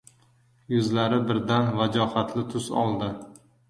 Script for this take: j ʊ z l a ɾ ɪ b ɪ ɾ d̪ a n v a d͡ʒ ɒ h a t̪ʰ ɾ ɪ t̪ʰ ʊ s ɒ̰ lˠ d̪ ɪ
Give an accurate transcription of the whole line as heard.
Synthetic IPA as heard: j ʊ z l a ɾ ɪ b ɪ ɾ d̪ a n v a d͡ʒ ɒ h a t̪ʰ l ɪ t̪ʰ ʊ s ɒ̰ lˠ d̪ ɪ